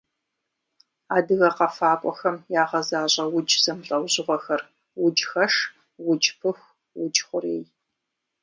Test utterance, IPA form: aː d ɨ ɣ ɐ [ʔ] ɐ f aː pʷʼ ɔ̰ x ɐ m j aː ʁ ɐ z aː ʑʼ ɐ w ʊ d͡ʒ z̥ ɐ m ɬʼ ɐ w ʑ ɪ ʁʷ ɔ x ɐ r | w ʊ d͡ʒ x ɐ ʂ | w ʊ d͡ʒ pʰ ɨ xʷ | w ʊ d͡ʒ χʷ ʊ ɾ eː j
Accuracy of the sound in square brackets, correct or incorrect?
incorrect: q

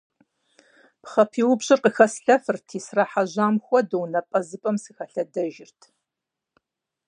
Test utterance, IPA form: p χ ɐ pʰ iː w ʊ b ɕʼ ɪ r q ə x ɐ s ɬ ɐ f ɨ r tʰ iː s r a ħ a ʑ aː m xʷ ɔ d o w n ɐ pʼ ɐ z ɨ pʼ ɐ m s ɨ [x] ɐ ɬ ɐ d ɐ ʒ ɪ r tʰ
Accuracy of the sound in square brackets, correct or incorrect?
correct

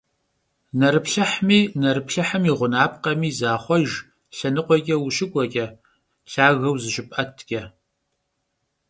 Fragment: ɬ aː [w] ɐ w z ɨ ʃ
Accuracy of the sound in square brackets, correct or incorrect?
incorrect: ɣ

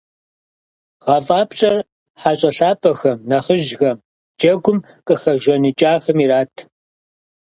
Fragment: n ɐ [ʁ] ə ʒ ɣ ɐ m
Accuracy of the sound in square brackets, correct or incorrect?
incorrect: χ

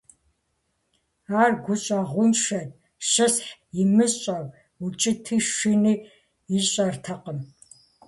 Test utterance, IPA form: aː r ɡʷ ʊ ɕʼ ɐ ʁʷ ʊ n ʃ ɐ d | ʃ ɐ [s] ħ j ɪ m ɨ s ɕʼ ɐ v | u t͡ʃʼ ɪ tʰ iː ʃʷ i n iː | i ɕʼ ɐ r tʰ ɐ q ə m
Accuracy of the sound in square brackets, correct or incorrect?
correct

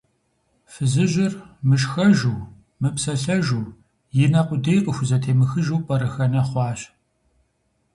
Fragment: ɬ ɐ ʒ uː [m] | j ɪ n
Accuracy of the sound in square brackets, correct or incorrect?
incorrect: none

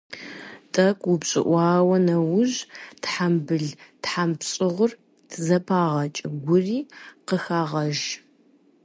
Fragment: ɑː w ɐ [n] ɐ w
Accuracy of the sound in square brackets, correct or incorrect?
correct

